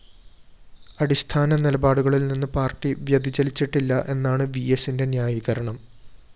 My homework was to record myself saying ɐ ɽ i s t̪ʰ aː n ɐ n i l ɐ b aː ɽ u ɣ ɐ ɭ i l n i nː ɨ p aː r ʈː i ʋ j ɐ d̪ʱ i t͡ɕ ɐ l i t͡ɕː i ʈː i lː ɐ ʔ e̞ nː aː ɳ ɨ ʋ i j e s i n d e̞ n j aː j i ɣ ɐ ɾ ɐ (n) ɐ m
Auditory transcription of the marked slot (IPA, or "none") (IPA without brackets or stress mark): ɳ